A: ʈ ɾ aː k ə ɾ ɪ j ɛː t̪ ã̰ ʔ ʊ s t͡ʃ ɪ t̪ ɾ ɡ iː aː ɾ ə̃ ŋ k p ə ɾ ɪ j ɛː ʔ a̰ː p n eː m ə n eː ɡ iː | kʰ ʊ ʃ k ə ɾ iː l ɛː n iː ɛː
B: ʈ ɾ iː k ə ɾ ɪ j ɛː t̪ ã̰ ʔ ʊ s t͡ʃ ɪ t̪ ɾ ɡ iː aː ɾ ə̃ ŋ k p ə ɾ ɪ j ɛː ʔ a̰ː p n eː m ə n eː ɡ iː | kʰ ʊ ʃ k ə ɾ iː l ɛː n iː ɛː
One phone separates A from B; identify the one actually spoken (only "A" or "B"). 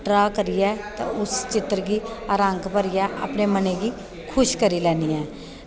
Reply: A